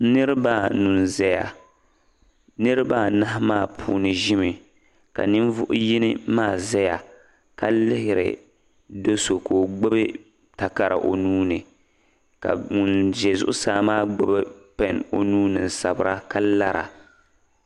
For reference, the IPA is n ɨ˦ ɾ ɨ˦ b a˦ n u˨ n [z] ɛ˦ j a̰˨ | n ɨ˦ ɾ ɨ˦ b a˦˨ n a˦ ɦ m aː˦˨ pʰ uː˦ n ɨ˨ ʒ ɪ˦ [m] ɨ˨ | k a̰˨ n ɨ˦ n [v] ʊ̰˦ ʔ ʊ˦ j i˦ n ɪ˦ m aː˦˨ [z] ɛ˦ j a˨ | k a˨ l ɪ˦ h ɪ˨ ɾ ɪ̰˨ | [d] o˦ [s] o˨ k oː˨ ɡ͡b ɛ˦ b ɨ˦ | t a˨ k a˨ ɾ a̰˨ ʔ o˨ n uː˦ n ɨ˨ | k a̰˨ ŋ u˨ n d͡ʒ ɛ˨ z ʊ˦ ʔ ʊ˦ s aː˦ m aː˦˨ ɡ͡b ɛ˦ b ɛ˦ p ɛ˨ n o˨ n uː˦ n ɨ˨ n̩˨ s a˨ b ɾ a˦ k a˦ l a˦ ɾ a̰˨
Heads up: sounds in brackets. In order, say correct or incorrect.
correct, correct, correct, correct, correct, correct

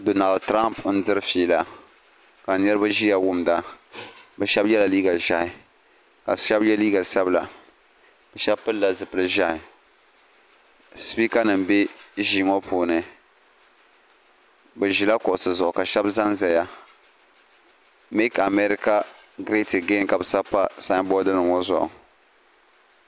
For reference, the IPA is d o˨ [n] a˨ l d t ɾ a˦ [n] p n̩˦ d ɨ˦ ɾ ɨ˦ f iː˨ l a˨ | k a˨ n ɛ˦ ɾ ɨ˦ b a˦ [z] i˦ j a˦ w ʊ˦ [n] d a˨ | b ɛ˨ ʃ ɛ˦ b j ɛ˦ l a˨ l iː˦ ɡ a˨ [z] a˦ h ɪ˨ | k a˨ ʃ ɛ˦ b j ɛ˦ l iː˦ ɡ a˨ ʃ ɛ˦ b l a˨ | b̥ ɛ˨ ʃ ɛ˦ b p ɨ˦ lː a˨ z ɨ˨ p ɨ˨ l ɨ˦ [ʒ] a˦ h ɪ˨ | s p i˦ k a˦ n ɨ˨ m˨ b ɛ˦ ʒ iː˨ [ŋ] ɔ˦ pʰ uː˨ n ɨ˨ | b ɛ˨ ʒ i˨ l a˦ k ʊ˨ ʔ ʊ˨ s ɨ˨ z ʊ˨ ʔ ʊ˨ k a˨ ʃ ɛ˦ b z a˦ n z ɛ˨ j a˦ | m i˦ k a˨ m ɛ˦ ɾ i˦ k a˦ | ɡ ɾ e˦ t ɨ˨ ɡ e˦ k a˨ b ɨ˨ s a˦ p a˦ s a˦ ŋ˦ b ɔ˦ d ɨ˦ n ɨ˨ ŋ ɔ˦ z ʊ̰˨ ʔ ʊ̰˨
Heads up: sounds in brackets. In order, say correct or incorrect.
correct, incorrect: m, incorrect: ʒ, incorrect: m, incorrect: ʒ, correct, correct

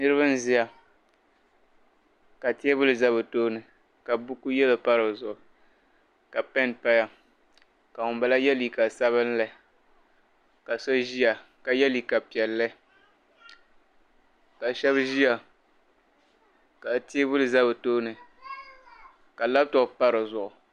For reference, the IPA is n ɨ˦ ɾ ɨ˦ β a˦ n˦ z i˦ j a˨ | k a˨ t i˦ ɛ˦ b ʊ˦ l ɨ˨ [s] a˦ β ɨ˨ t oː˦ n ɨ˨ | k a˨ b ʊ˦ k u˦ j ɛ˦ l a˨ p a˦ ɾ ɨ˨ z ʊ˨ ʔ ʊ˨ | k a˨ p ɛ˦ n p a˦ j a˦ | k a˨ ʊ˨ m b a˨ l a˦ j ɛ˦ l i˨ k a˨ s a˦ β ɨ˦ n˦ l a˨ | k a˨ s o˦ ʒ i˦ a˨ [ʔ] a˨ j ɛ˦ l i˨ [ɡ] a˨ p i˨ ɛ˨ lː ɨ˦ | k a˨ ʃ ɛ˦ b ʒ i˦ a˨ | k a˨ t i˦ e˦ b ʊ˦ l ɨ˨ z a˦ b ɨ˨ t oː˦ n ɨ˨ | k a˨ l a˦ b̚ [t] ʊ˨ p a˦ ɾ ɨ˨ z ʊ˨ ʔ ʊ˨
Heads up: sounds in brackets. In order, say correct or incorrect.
incorrect: z, incorrect: k, incorrect: k, correct

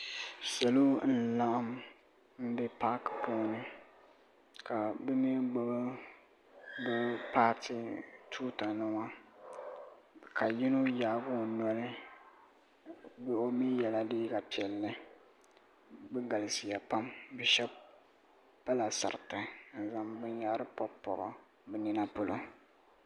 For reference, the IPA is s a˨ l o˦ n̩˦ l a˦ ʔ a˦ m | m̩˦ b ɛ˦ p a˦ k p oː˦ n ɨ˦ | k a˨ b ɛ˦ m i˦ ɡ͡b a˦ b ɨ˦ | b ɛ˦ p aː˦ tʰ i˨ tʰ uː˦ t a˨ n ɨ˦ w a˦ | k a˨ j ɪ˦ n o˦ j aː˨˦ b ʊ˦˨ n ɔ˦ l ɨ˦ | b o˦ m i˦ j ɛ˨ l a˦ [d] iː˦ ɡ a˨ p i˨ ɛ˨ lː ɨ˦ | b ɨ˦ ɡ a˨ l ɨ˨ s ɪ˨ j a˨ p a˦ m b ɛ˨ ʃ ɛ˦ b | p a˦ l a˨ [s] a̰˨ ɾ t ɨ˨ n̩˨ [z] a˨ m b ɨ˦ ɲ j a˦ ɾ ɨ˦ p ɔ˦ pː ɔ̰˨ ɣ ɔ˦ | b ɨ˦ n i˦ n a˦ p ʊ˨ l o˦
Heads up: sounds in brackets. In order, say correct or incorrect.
correct, correct, correct

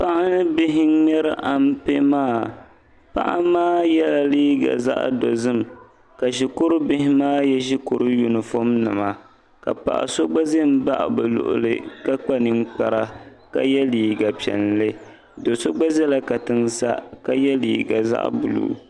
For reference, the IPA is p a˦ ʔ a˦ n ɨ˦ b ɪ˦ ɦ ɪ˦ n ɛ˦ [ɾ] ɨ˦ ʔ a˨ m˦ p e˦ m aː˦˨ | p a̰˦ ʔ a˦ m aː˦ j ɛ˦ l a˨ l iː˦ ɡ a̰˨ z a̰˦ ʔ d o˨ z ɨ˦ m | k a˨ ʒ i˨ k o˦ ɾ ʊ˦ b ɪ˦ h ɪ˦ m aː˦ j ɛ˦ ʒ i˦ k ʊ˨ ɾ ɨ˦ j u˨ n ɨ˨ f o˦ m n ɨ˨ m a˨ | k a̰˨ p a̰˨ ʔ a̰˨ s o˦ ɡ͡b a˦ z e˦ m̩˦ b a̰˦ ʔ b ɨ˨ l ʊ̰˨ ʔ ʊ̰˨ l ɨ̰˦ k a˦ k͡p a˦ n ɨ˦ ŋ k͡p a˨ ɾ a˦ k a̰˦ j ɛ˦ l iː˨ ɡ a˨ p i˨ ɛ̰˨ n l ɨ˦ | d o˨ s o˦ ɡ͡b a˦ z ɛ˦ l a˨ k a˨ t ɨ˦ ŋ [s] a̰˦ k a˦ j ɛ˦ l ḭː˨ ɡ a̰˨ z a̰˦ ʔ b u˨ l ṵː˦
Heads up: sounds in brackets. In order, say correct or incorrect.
correct, correct

